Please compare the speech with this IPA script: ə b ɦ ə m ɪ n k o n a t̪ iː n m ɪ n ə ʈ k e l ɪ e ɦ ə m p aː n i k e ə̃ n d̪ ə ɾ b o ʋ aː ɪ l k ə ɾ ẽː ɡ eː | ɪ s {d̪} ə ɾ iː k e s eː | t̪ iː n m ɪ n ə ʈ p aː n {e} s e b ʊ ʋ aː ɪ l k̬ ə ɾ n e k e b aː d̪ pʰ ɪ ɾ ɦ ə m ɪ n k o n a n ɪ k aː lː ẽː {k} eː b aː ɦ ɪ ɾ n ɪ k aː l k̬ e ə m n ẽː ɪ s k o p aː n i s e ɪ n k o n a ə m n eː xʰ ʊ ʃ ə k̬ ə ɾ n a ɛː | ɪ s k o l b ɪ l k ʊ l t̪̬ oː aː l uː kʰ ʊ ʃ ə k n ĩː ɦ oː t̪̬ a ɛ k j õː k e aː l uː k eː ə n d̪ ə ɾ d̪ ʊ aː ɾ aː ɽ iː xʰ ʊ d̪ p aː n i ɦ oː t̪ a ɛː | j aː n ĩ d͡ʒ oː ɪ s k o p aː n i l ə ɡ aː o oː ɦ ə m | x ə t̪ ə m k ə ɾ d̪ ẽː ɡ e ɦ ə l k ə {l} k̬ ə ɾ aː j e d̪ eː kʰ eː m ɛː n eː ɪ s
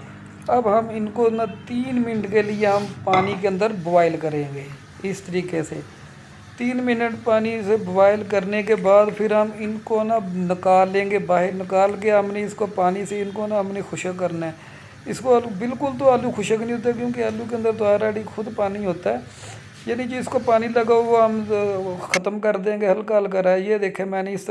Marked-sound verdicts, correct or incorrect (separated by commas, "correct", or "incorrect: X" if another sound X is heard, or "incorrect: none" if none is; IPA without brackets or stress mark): incorrect: t̪, incorrect: i, incorrect: ɡ, correct